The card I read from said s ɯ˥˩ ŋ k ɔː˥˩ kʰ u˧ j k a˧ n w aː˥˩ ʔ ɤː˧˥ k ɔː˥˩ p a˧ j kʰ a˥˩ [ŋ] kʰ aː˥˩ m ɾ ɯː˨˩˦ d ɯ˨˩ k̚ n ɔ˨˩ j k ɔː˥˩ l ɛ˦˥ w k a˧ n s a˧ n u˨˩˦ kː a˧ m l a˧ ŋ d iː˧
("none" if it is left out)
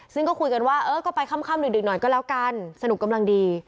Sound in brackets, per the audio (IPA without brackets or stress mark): m